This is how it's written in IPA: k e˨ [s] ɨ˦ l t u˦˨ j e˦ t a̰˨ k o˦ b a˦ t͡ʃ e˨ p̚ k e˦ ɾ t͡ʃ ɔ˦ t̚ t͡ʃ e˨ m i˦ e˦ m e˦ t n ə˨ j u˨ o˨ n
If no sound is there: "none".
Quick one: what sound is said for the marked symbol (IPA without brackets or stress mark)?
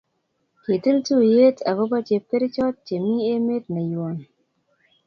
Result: t